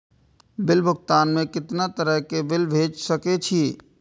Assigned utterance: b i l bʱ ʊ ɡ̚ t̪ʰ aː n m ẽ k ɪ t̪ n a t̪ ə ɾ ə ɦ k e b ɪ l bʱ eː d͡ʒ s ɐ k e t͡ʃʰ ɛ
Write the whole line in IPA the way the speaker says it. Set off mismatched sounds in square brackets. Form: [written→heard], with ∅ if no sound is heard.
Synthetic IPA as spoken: b [i→ɪ] l bʱ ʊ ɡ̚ [t̪ʰ→t̪] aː n m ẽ k ɪ t̪ n a t̪ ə ɾ ə ɦ k e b ɪ l bʱ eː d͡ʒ s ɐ k e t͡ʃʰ [ɛ→i]